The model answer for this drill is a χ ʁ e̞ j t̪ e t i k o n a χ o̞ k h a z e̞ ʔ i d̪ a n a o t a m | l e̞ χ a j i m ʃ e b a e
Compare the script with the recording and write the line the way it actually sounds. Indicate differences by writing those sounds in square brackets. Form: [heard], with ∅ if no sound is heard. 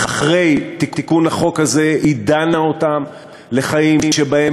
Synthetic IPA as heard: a χ ʁ e̞ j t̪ [i] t i k [u] n a χ o̞ k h a z e̞ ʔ i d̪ a n a o t a m | l e̞ χ a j i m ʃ e b a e